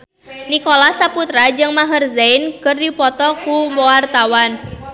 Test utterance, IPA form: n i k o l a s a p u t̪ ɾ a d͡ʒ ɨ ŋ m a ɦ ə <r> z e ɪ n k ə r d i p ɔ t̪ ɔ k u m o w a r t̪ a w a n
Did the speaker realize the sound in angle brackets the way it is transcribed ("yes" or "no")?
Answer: yes